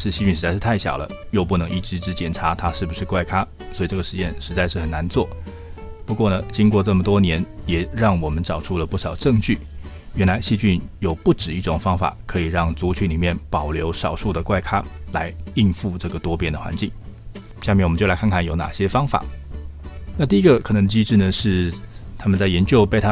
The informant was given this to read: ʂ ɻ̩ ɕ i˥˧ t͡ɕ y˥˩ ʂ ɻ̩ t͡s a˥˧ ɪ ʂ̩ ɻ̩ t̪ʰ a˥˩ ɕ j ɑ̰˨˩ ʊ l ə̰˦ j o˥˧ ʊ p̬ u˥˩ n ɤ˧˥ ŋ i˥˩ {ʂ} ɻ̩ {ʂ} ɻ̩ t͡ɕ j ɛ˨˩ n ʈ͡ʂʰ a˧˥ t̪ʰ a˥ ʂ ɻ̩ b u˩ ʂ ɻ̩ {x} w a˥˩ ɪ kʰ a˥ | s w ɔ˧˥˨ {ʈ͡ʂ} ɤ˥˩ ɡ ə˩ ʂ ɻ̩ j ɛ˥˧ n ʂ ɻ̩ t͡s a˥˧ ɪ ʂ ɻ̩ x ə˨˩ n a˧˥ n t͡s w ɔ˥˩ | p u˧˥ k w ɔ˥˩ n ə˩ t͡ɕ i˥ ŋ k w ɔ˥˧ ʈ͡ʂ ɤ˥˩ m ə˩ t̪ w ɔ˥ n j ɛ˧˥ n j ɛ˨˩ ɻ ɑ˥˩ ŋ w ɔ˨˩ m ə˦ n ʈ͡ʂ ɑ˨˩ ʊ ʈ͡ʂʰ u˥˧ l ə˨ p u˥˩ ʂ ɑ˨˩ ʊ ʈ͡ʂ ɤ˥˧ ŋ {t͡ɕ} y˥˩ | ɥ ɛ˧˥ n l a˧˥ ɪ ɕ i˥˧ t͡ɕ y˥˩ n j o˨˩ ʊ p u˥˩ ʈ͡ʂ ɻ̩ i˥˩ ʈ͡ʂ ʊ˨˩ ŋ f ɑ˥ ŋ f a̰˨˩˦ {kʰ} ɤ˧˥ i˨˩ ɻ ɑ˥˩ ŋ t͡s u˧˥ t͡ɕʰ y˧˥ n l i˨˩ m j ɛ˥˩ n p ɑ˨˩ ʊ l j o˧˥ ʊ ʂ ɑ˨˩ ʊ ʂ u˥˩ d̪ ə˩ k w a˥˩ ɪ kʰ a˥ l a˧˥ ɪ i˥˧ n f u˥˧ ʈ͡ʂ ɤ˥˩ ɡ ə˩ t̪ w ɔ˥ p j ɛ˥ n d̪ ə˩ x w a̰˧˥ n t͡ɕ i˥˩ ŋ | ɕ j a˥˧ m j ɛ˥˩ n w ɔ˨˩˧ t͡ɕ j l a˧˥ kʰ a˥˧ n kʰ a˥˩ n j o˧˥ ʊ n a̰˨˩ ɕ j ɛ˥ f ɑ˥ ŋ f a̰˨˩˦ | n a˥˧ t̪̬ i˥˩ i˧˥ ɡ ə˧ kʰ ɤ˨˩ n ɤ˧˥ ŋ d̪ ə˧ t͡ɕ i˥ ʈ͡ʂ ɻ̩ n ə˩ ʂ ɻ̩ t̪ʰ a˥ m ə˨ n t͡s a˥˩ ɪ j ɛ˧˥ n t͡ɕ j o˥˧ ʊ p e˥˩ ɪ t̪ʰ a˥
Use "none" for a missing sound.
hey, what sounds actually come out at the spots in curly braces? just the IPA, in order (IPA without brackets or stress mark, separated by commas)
ʈ͡ʂ, ʈ͡ʂ, k, ʈ͡ʂ, t͡ɕ, kʰ